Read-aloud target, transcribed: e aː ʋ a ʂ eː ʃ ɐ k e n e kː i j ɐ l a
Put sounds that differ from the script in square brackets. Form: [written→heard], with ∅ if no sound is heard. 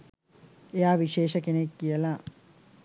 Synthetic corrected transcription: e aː ʋ [a→i] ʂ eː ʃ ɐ k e n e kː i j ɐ l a